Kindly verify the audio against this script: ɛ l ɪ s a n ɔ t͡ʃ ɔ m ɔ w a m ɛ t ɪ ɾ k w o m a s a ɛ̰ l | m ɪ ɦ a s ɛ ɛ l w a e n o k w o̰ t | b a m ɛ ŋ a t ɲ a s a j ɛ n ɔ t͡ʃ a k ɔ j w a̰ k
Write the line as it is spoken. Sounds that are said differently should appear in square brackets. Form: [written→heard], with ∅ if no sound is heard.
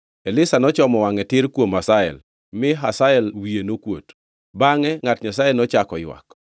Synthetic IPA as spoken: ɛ l ɪ s a n ɔ t͡ʃ ɔ m ɔ w a [m→ŋ] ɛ t ɪ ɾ k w o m a s a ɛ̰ l | m ɪ ɦ a s [ɛ→a] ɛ l w [a→i] e n o k w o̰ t | b a [m→ŋ] ɛ ŋ a t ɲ a s a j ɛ n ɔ t͡ʃ a k ɔ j w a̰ k